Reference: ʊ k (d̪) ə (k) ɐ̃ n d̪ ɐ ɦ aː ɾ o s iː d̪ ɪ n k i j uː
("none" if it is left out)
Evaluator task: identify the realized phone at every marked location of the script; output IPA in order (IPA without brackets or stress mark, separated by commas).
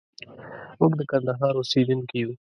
d̪, k